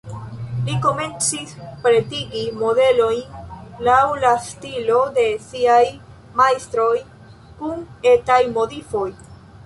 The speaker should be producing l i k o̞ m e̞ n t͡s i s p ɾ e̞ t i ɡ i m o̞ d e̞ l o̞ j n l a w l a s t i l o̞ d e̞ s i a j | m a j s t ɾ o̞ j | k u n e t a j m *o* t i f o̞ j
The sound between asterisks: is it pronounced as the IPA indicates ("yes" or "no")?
yes